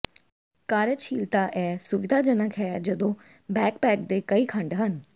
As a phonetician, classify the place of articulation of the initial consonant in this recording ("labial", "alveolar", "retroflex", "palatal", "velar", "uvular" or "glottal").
velar